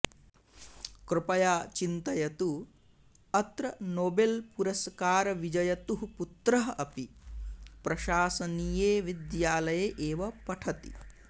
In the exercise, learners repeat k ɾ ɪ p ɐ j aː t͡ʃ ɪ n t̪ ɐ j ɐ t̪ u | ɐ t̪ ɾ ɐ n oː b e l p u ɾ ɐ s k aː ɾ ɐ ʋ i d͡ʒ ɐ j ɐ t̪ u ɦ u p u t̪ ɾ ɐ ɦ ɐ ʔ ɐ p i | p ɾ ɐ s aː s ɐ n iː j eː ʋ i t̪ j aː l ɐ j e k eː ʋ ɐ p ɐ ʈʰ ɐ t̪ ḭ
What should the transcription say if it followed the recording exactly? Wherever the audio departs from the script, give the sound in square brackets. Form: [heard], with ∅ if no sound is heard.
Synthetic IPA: k ɾ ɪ p ɐ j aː t͡ʃ [i] n t̪ ɐ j ɐ t̪ u | ɐ t̪ ɾ ɐ n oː b e l p u ɾ ɐ s k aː ɾ ɐ ʋ i d͡ʒ ɐ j ɐ t̪ u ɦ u p u t̪ ɾ ɐ ɦ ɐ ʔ ɐ p i | p ɾ ɐ [ʃ] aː s ɐ n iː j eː ʋ i [d̪] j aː l ɐ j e [ʔ] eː ʋ ɐ p ɐ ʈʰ ɐ t̪ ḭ